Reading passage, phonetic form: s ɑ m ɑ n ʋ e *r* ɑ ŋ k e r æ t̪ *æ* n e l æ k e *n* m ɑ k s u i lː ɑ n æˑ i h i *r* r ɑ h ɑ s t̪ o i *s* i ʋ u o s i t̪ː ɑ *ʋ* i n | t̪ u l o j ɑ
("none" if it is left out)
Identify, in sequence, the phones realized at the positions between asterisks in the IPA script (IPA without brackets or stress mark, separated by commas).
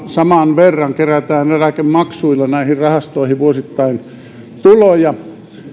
rː, æː, m, r, h, none